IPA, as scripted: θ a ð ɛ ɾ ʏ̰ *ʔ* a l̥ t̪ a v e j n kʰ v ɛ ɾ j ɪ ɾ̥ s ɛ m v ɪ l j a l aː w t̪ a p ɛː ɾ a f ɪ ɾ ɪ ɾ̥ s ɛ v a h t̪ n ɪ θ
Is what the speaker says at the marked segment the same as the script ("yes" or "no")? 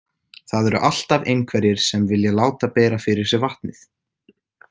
yes